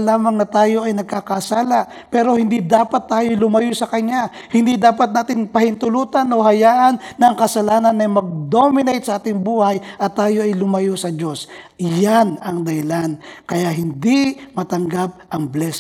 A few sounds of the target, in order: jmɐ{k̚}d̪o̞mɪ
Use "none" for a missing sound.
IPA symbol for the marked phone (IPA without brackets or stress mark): ɡ̚